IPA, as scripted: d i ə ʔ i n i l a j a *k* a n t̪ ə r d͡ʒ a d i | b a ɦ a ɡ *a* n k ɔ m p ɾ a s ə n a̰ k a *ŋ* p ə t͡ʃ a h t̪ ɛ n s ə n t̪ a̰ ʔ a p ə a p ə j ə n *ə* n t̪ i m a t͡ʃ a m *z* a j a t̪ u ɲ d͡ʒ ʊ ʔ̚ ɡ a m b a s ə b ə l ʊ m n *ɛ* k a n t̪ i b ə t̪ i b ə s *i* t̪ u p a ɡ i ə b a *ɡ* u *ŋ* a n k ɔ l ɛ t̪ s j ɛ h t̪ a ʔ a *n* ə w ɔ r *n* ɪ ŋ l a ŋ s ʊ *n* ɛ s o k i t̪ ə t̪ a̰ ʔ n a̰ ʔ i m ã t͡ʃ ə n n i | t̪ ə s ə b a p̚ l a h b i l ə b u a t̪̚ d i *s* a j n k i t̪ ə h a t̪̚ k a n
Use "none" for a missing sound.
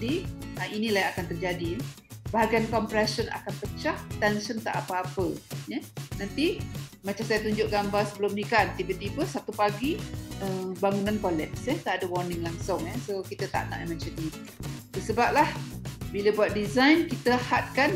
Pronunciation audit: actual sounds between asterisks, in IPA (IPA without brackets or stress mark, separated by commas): k, a, n, a, s, i, a, ŋ, n, d, n, ŋ, z